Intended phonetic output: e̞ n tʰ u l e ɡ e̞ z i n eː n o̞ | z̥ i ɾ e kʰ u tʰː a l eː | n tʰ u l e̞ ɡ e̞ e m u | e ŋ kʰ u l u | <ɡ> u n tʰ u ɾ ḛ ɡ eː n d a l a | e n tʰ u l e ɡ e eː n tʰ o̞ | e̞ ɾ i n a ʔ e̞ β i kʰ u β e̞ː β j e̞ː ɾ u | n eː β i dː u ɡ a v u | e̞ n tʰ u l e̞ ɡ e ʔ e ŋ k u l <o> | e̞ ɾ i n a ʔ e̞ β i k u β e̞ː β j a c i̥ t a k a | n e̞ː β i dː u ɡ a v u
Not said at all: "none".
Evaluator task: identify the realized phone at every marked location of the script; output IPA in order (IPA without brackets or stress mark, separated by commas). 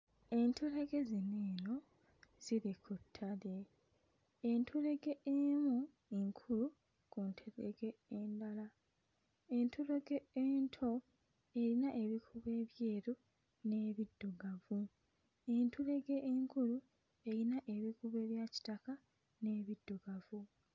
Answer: k, u